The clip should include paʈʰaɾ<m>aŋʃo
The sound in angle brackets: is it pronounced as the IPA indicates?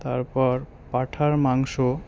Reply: yes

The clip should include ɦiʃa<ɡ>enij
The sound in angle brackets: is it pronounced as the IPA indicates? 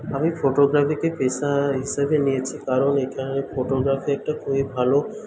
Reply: no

